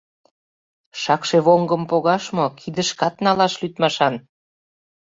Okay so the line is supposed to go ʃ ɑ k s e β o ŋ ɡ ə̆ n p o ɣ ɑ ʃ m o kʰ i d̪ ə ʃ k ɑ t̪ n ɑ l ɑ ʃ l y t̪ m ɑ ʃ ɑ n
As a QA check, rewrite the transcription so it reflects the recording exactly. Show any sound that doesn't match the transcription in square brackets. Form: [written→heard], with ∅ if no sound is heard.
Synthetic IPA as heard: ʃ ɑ k [s→ʃ] e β o ŋ ɡ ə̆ [n→m] p o ɣ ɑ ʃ m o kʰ i d̪ ə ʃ k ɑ t̪ n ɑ l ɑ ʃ l y t̪ m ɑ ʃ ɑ n